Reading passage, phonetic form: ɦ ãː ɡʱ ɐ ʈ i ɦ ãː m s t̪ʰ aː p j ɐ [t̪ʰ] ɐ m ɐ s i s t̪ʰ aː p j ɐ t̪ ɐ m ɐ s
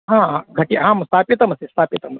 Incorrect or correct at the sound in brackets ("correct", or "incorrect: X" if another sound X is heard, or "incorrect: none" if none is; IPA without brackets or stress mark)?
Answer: incorrect: t̪